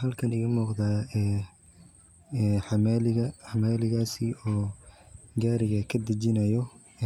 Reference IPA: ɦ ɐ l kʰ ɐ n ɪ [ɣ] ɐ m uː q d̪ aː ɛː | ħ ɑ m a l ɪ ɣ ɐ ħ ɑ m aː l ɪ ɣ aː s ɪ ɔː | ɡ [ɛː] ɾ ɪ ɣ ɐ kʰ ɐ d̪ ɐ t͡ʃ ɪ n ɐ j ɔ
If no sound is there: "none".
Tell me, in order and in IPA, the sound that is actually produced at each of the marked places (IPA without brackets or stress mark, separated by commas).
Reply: ɣ, aː